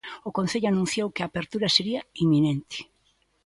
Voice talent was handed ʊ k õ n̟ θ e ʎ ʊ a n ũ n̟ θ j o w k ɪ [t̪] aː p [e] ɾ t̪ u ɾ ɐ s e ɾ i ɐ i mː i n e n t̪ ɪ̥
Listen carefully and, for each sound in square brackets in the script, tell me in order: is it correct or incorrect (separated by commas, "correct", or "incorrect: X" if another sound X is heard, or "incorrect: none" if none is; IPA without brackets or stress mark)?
incorrect: none, correct